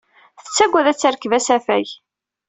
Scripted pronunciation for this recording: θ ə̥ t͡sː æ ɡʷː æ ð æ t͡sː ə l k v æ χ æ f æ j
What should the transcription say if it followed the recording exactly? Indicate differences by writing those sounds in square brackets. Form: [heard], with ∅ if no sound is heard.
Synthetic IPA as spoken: θ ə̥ t͡sː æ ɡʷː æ ð æ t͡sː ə [ɾ] k v æ [s] æ f æ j